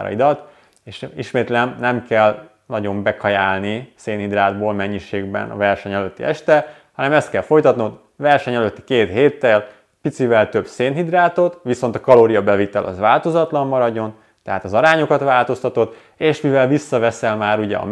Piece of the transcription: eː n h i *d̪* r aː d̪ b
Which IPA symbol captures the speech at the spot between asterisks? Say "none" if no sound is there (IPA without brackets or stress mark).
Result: d̪